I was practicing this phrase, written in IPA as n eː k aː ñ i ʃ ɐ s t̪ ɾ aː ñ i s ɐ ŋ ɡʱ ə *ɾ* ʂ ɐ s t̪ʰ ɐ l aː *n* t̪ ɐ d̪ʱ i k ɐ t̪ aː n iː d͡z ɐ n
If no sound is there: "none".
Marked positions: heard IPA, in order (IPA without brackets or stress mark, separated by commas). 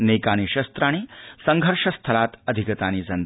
ɾ, none